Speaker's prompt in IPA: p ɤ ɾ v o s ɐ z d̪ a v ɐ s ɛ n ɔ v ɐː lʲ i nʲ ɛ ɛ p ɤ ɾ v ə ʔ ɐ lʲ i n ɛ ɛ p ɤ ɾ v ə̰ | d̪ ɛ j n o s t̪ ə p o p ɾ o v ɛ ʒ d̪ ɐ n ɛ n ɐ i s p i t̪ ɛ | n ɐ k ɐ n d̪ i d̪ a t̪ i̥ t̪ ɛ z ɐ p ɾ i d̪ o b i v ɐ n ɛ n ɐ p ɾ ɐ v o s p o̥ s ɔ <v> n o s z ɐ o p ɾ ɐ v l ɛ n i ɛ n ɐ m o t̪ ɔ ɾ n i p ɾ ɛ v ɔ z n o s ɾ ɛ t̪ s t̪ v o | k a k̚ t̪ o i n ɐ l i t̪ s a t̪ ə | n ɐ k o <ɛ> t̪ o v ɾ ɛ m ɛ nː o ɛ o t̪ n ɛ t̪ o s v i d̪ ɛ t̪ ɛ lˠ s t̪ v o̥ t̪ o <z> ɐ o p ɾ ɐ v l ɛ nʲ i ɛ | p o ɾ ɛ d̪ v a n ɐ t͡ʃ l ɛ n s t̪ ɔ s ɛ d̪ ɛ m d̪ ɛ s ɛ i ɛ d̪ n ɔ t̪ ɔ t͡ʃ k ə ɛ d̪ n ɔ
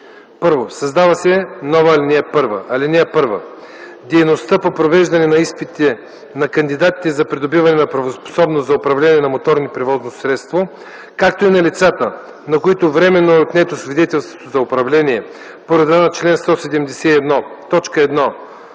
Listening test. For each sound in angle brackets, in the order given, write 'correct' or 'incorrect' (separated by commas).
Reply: incorrect, incorrect, correct